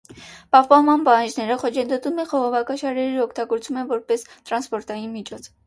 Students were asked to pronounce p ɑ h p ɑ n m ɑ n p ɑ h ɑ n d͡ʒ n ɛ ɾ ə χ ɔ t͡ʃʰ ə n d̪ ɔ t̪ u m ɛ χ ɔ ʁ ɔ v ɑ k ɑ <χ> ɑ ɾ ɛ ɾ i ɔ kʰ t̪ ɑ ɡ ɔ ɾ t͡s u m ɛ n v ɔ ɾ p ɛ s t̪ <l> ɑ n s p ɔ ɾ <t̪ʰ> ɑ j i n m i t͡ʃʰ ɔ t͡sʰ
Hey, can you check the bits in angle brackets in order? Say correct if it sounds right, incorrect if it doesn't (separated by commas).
incorrect, incorrect, incorrect